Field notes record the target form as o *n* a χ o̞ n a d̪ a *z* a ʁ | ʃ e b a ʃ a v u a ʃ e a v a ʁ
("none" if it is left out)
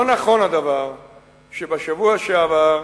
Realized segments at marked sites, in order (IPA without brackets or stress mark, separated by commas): n, v